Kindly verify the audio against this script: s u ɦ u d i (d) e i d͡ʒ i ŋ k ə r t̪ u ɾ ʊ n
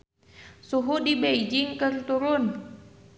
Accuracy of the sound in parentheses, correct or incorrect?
incorrect